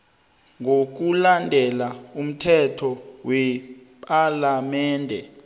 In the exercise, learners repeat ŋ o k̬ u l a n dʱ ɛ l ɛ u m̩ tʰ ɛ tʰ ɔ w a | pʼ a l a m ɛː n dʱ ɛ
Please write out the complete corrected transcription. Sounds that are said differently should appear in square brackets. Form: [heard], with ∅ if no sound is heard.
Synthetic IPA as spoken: ŋ o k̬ u l a n dʱ ɛ l [a] u m̩ tʰ ɛ tʰ ɔ w [ɛ] | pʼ a l a m ɛː n dʱ ɛ

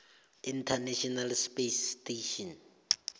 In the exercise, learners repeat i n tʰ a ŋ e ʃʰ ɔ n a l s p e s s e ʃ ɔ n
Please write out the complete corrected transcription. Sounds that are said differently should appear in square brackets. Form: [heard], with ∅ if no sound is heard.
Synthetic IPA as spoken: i n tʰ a [n] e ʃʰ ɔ n a l s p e s [t] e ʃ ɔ n

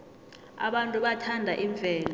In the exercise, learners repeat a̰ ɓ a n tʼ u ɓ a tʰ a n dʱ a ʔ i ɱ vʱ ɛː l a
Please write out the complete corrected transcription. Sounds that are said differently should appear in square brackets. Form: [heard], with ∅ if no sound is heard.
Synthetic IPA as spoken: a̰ ɓ a n tʼ u ɓ a tʰ a n dʱ a ʔ i ɱ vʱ ɛː l a

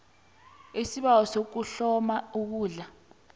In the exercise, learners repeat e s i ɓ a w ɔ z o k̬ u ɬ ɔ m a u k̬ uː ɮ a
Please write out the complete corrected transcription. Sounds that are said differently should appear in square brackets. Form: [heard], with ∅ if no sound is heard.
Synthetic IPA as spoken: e s i ɓ a w ɔ [s] o k̬ u ɬ ɔ m a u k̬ uː ɮ a

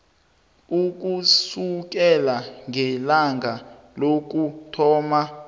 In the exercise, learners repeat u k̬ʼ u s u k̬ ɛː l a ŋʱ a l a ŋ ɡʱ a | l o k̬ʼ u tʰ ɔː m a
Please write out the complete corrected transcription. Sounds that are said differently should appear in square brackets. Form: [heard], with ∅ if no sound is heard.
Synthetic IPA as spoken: u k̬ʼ u s u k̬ [ɛ] l a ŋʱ [ɛ] l a ŋ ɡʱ a | l o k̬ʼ u tʰ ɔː m a

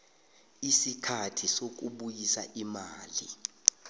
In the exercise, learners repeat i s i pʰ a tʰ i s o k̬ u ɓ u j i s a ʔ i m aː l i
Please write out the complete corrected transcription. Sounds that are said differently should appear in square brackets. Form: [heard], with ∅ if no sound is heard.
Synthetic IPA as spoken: i s i [kʰ] a tʰ i s o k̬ u ɓ u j i s a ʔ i m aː l i

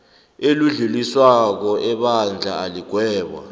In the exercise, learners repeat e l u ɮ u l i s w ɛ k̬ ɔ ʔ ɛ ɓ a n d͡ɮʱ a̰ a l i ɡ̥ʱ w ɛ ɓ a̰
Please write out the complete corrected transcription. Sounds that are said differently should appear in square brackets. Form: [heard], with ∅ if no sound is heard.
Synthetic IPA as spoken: e l u ɮ u l i s w [a] k̬ ɔ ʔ ɛ ɓ a n d͡ɮʱ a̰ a l i ɡ̥ʱ w [ɛː] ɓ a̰

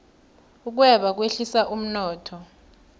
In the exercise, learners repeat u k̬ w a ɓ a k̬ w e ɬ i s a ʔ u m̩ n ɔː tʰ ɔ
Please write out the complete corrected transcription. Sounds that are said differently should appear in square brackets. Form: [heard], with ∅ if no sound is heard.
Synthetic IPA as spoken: u k̬ w [ɛ] ɓ a k̬ w e ɬ i s a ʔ u m̩ n ɔː tʰ ɔ

